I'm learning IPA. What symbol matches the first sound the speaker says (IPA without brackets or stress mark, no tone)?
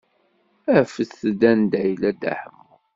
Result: æ